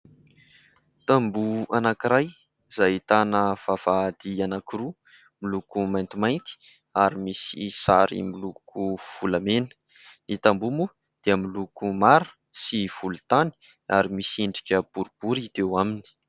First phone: t̪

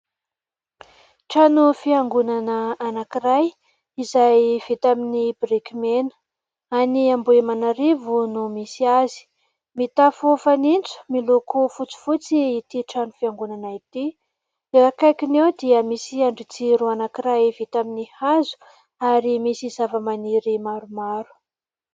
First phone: ʈ͡ʂ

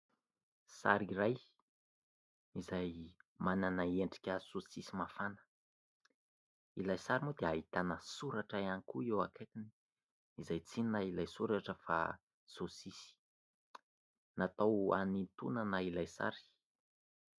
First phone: s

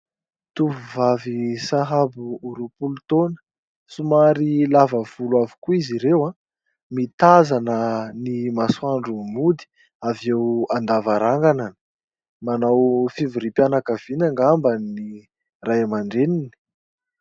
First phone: t̪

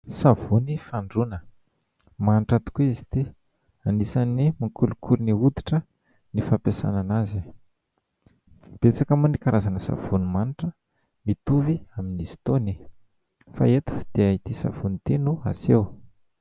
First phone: s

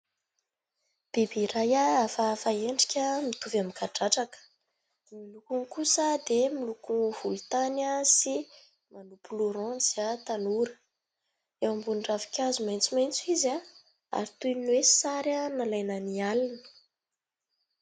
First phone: b̥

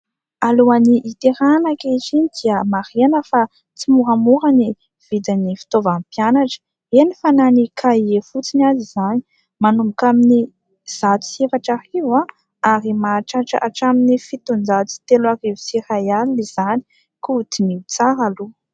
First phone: a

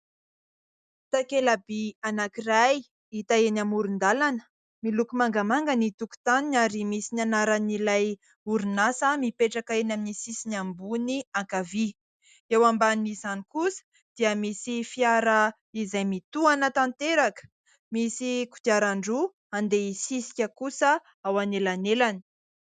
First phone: t̪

